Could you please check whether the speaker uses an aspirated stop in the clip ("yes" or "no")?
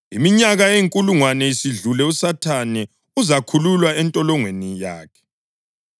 yes